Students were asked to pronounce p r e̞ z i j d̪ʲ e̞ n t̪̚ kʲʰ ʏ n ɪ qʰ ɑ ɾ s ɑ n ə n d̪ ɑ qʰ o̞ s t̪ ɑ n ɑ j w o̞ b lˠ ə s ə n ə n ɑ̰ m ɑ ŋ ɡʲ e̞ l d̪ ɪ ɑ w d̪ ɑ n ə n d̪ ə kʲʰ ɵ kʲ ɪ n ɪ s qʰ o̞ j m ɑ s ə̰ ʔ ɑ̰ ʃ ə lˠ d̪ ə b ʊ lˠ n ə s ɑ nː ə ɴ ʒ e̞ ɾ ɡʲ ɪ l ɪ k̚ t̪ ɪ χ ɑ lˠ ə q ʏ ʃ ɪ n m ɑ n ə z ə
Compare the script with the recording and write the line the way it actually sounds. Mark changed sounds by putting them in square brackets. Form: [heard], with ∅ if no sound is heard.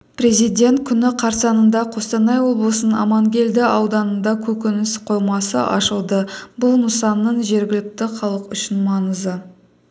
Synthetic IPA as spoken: p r e̞ z i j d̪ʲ e̞ n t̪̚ kʲʰ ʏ n ɪ qʰ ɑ ɾ s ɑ n ə n d̪ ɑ qʰ o̞ s t̪ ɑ n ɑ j w o̞ b lˠ ə s ə n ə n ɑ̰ m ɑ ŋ ɡʲ e̞ l d̪ ɪ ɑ w d̪ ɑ n ə n d̪ [ɑ] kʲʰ ɵ kʲ ɪ n ɪ s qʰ o̞ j m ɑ s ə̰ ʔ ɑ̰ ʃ ə lˠ d̪ ə b ʊ lˠ n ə s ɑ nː ə ɴ ʒ e̞ ɾ ɡʲ ɪ l ɪ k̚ t̪ ɪ χ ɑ lˠ ə q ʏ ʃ ɪ n m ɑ n ə z ə

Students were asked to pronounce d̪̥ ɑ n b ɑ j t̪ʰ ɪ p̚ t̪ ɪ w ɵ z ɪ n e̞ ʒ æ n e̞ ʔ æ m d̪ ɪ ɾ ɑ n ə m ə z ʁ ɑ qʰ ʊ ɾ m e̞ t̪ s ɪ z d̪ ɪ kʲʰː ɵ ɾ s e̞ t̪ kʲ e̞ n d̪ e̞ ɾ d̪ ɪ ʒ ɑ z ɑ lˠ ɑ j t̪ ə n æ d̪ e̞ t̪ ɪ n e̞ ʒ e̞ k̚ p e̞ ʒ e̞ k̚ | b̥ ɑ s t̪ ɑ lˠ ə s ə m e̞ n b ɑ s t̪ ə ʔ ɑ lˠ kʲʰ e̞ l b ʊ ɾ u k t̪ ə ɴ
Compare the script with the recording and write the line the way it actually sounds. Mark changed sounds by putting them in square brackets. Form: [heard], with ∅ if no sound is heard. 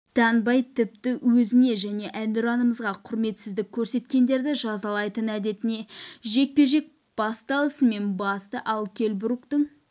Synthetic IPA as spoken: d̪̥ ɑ n b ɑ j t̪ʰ ɪ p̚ t̪ ɪ w ɵ z ɪ n e̞ ʒ æ n e̞ ʔ æ [n] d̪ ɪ ɾ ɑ n ə m ə z ʁ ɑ qʰ ʊ ɾ m e̞ t̪ s ɪ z d̪ ɪ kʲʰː ɵ ɾ s e̞ t̪ kʲ e̞ n d̪ e̞ ɾ d̪ ɪ ʒ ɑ z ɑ lˠ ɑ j t̪ ə n æ d̪ e̞ t̪ ɪ n e̞ ʒ e̞ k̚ p e̞ ʒ e̞ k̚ | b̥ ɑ s t̪ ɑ lˠ ə s ə m e̞ n b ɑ s t̪ ə ʔ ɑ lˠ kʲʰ e̞ l b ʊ ɾ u k t̪ ə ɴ

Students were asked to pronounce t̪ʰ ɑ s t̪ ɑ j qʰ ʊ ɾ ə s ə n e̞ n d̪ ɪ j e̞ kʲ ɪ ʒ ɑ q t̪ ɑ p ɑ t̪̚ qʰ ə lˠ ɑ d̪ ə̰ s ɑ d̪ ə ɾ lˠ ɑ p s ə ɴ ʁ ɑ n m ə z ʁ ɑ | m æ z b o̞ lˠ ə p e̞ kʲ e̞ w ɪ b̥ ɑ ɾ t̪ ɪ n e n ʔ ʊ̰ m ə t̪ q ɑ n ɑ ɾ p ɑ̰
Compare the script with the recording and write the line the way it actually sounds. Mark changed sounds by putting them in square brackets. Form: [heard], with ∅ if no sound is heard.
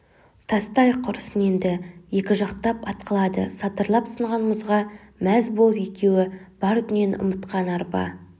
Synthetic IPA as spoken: t̪ʰ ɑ s t̪ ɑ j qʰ ʊ ɾ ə s ə n e̞ n d̪ ɪ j e̞ kʲ ɪ ʒ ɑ q t̪ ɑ p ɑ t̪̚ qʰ ə lˠ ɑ d̪ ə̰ s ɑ [t̪] ə ɾ lˠ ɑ p s ə ɴ ʁ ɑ n m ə z ʁ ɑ | m æ z b o̞ lˠ ə p e̞ kʲ e̞ w ɪ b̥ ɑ ɾ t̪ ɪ n e n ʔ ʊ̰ m ə t̪ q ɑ n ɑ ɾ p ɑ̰

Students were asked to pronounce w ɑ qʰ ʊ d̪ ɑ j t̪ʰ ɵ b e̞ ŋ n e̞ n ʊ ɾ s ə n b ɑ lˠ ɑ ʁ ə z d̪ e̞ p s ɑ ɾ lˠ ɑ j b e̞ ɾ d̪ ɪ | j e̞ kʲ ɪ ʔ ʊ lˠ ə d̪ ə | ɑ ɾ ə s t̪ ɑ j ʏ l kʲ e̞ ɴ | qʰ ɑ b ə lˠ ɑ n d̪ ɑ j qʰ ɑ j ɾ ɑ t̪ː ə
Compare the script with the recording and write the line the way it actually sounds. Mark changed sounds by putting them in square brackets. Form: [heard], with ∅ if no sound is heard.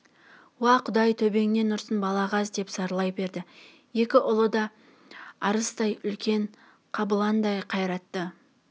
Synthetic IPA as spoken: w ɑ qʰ ʊ d̪ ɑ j t̪ʰ ɵ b e̞ ŋ n e̞ n ʊ ɾ s ə n b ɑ lˠ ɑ ʁ [ɑ] z d̪ e̞ p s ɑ ɾ lˠ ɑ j b e̞ ɾ d̪ ɪ | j e̞ kʲ ɪ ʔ ʊ lˠ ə d̪ [ɑ] | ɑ ɾ ə s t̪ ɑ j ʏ l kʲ e̞ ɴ | qʰ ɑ b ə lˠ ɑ n d̪ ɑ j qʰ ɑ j ɾ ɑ t̪ː ə

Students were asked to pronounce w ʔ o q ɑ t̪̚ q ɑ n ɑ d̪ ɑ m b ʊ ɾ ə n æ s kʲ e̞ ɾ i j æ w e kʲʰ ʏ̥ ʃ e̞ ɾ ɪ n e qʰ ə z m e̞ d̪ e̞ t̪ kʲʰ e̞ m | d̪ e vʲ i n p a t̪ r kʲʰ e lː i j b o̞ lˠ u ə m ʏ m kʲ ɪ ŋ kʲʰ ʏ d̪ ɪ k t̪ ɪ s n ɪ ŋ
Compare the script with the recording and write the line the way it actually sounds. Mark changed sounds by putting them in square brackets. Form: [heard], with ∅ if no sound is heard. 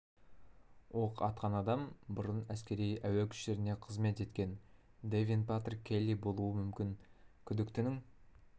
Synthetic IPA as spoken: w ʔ o q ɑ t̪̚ q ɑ n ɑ d̪ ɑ m b ʊ ɾ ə n æ s kʲ e̞ ɾ i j æ w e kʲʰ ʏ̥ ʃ e̞ ɾ ɪ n e qʰ ə z m e̞ [t̪] e̞ t̪ [kʲ] e̞ [n] | d̪ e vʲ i n p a t̪ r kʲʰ e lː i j b o̞ lˠ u ə m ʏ m kʲ ɪ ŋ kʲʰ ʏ d̪ ɪ k t̪ ɪ [∅] n ɪ ŋ

